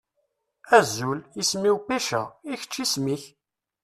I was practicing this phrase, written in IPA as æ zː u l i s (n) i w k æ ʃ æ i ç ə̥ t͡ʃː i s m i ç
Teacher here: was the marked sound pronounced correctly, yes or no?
no